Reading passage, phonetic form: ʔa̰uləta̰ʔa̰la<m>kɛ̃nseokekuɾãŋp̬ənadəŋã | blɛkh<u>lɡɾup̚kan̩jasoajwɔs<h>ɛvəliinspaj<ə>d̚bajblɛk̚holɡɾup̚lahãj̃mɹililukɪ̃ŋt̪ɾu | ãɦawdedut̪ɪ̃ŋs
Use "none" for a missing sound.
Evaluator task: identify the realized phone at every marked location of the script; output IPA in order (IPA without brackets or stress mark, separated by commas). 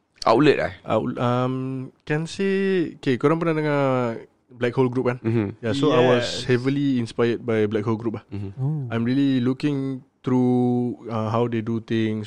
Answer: m, o, h, ə